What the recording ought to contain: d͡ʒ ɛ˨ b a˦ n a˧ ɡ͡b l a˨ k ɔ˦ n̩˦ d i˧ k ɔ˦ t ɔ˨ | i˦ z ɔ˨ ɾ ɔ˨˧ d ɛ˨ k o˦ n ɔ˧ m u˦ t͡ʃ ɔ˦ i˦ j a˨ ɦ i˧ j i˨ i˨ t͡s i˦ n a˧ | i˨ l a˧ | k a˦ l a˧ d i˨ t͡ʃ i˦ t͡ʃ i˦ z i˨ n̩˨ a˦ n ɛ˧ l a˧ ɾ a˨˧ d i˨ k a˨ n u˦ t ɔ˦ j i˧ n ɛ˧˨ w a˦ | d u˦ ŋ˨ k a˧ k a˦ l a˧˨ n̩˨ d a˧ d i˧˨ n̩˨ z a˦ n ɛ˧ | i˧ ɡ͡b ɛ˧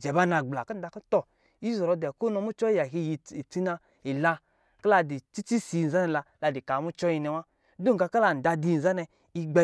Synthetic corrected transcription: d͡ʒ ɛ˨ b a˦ n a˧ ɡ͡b l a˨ k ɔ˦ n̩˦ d a˧ k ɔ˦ t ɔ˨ | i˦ z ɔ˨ ɾ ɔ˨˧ d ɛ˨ k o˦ n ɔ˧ m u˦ t͡ʃ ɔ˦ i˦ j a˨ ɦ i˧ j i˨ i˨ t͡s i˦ n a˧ | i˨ l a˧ | k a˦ l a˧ d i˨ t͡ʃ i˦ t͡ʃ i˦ s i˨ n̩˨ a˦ n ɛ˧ l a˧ l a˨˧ d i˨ k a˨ m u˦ t͡ʃ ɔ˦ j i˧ n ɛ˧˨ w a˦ | d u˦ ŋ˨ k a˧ k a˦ l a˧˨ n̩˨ d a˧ d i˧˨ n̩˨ z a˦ n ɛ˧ | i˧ ɡ͡b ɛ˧